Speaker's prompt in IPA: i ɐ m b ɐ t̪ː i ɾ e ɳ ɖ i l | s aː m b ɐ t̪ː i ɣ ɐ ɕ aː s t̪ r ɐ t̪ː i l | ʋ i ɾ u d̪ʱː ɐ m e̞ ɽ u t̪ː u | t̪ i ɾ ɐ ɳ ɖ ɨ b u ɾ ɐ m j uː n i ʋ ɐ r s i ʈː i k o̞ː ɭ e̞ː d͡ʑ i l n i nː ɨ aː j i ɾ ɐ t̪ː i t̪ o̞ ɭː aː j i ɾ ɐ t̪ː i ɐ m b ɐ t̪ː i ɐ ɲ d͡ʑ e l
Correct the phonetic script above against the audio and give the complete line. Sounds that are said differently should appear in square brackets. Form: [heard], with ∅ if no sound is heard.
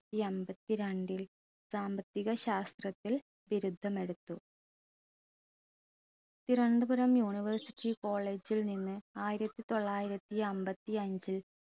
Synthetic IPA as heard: i ɐ m b ɐ t̪ː i ɾ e ɳ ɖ i l | s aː m b ɐ t̪ː i ɣ ɐ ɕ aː s t̪ r ɐ t̪ː i l | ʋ i ɾ u d̪ʱː ɐ m e̞ ɽ u t̪ː u | t̪ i ɾ ɐ ɳ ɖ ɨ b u ɾ ɐ m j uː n i ʋ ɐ r s i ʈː i k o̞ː ɭ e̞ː d͡ʑ i l n i nː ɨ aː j i ɾ ɐ t̪ː i t̪ o̞ ɭː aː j i ɾ ɐ t̪ː i ɐ m b ɐ t̪ː i ɐ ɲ d͡ʑ [i] l